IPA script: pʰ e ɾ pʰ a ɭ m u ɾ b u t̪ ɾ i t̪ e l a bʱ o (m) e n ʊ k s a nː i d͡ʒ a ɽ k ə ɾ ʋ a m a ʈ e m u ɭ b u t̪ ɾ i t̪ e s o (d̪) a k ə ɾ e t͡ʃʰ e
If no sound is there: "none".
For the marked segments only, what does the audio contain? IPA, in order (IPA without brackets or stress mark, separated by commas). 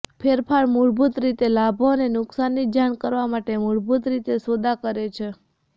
n, d̪